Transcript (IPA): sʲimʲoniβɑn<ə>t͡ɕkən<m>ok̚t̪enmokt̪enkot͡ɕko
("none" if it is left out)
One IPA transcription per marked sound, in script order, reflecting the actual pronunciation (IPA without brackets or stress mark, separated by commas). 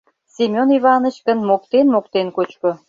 ə, m